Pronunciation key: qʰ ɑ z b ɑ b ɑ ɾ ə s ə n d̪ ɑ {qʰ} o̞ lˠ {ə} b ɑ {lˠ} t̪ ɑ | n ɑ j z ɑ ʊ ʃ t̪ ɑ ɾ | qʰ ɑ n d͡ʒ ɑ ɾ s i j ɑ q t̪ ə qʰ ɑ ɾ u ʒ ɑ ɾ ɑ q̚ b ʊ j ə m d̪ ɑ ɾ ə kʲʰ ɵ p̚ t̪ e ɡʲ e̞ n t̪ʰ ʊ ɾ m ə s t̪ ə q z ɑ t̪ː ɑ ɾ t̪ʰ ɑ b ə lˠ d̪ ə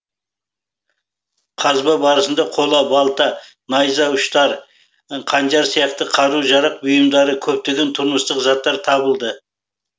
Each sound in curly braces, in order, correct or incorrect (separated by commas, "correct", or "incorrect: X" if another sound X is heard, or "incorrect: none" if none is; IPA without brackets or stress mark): correct, incorrect: ɑ, correct